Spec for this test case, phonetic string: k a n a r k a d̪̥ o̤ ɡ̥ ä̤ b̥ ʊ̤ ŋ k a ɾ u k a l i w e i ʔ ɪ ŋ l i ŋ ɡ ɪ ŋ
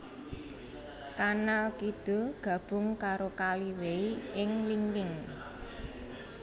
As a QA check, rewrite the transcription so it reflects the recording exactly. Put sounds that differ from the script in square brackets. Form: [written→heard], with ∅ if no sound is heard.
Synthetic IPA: k a n a [r→l] k [a→i] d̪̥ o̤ ɡ̥ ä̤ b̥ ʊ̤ ŋ k a ɾ [u→o] k a l i w e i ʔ ɪ ŋ l i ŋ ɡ ɪ ŋ